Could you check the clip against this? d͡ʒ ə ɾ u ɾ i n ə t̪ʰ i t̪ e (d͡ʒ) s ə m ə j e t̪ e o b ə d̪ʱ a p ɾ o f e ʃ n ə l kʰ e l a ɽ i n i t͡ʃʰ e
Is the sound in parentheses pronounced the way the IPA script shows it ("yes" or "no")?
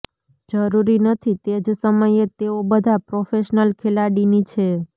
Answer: yes